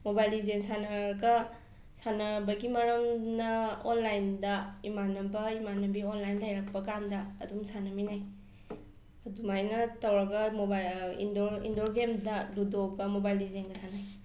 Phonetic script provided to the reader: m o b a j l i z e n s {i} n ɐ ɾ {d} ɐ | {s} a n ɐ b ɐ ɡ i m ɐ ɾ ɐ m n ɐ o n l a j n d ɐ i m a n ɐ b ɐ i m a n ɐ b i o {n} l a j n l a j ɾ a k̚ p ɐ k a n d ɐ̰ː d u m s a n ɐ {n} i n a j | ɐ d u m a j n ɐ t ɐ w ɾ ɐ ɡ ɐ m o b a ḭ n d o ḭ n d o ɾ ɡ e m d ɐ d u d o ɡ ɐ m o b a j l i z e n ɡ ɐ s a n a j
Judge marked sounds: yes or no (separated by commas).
no, no, yes, yes, no